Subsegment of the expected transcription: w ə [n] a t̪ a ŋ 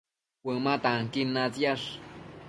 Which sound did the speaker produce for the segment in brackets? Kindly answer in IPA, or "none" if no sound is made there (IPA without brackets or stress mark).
m